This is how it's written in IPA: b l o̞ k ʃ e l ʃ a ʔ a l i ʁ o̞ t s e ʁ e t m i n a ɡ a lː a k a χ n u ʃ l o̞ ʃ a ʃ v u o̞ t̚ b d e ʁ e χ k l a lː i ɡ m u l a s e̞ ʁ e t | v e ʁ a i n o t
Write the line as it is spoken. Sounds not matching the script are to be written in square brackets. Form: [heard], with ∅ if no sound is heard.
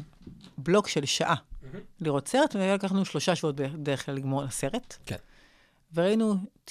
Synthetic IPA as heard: b l o̞ k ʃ e l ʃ a ʔ a l i ʁ o̞ t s e ʁ e t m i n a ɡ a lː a k a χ n u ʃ l o̞ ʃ a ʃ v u o̞ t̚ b d e ʁ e χ k l a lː i ɡ m [o] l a s e̞ ʁ e t | v e ʁ a i n [u] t